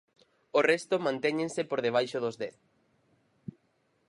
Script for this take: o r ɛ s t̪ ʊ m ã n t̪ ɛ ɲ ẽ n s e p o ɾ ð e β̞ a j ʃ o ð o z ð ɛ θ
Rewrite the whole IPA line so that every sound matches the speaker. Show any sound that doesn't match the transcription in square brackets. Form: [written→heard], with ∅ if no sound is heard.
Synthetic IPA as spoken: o r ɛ s t̪ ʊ m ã n t̪ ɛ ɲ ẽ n s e p o ɾ ð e β̞ a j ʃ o ð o z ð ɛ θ